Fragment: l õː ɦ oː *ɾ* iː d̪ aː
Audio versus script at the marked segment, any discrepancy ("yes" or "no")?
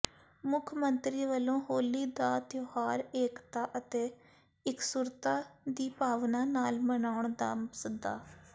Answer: yes